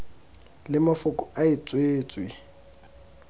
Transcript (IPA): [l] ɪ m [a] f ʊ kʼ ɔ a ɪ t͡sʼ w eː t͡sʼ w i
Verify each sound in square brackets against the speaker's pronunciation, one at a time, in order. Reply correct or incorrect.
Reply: correct, correct

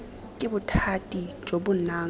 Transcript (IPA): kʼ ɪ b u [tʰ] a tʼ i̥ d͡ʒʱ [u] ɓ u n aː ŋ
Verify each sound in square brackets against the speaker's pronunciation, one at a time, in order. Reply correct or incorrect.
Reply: correct, incorrect: o

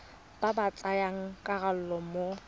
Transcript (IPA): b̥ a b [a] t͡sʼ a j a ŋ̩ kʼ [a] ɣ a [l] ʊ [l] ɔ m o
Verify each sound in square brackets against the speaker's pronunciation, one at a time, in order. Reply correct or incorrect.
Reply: correct, correct, correct, correct

